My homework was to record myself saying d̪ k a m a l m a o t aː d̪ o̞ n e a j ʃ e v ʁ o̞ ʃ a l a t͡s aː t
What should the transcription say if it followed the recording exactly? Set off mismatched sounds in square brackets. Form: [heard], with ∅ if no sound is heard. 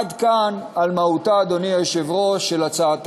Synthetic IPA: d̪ k a [n] a l m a [u] t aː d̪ o̞ n [i] a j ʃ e v ʁ o̞ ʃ [e] l a t͡s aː t

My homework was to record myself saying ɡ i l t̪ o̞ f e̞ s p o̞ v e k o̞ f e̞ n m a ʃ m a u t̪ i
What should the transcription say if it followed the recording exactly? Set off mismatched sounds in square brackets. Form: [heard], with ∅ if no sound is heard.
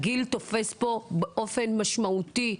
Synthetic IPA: ɡ i l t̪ o̞ f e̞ s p o̞ [b] e [ʔ] o̞ f e̞ n m a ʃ m a u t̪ i

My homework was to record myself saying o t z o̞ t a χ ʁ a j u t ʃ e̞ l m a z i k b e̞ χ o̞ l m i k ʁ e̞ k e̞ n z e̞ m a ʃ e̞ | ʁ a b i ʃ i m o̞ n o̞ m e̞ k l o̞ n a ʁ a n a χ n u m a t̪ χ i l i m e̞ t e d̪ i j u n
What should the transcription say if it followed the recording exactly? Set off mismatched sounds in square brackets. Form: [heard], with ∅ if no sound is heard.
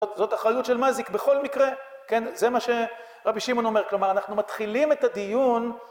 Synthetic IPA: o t z o̞ t a χ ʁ a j u t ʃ e̞ l m a z i k b e̞ χ o̞ l m i k ʁ e̞ k e̞ n z e̞ m a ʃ e̞ | ʁ a b i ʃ i m o̞ n o̞ m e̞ k l o̞ [m] a ʁ a n a χ n u m a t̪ χ i l i m e̞ t [a] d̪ i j u n

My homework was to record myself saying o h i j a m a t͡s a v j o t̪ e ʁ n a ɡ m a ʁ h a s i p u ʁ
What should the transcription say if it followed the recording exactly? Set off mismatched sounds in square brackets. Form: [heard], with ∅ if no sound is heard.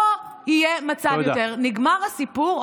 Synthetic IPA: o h i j [e] m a t͡s a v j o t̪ e ʁ n [i] ɡ m a ʁ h a s i p u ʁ

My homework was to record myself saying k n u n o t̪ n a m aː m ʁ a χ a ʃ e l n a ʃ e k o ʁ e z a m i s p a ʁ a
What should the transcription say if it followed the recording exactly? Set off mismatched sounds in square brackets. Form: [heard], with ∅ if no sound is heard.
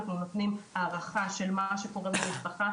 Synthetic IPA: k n u n o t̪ n [i] m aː [∅] ʁ a χ a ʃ e l [m] a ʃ e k o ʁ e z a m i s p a [χ] a

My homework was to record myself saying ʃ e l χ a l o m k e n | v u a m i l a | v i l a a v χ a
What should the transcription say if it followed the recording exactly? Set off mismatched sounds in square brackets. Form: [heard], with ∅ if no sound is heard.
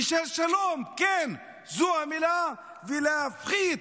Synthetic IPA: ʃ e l [ʃ] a l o m k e n | [z] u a m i l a | v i l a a [f] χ [i]

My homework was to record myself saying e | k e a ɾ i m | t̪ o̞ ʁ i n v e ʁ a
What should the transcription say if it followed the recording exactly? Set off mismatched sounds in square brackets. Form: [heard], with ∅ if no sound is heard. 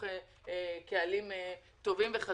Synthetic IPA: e | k e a [l] i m | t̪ o̞ [v] i [m] v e [χ] a

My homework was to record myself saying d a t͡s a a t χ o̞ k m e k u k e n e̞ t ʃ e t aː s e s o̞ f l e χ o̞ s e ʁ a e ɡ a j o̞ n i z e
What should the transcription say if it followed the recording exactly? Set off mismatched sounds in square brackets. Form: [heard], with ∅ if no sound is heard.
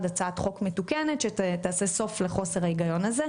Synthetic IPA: d a t͡s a a t χ o̞ k m e [t] u k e n e̞ t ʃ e t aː s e s o̞ f l e χ o̞ s e ʁ a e ɡ a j o̞ n [a] z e

